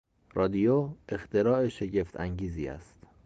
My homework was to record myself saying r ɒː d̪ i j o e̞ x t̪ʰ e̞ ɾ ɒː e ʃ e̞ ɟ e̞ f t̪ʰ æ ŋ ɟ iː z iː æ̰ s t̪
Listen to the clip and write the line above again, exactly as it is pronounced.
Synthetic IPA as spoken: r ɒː d̪ i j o e̞ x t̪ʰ e̞ ɾ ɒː e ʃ e̞ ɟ e̞ f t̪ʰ æ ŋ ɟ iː z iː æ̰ s t̪